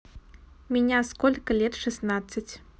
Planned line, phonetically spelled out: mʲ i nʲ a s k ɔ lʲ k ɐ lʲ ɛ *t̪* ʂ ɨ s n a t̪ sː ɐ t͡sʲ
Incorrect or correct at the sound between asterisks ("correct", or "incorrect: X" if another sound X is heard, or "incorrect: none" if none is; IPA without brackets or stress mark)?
correct